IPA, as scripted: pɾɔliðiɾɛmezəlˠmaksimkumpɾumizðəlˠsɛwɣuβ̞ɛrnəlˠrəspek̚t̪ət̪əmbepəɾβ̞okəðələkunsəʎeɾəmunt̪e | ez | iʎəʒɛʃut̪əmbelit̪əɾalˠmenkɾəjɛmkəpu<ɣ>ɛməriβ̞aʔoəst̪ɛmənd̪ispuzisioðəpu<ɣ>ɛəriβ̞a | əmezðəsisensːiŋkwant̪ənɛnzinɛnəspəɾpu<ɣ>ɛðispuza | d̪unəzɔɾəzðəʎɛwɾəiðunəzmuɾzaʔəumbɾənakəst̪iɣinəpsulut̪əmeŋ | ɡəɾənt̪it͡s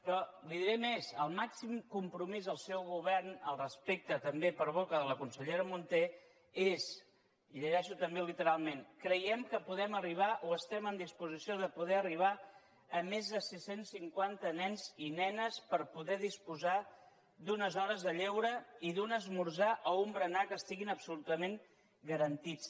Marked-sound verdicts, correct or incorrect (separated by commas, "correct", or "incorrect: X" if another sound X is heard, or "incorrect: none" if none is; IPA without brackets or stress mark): incorrect: ð, incorrect: ð, incorrect: ð